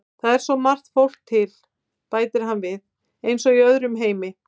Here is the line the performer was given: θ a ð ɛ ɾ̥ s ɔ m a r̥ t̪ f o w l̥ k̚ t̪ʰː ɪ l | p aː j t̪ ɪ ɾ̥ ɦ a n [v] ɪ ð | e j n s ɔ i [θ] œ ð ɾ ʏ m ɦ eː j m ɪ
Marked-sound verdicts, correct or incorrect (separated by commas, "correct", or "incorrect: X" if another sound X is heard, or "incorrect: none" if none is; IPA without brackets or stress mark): correct, incorrect: none